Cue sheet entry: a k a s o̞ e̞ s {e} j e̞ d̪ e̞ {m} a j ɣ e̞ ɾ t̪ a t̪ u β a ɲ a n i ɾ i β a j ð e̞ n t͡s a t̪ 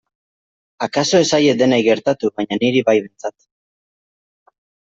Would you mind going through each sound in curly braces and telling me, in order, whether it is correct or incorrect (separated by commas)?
incorrect, incorrect